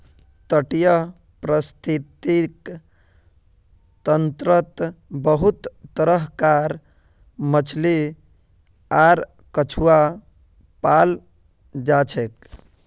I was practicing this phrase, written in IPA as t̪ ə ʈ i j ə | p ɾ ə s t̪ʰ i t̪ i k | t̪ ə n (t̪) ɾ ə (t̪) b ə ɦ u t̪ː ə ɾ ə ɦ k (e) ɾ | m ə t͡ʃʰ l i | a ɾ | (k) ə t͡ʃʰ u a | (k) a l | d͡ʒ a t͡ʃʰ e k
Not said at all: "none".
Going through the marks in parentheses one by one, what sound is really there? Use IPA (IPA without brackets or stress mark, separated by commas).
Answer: t̪, t̪, a, k, p